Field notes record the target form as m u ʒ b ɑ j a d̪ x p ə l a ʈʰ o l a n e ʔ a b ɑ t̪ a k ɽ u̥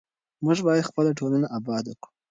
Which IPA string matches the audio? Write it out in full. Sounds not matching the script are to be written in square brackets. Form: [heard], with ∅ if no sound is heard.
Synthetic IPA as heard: m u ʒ b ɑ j a d̪ x p ə l a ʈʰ o l a n [a] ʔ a b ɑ [d̪] a k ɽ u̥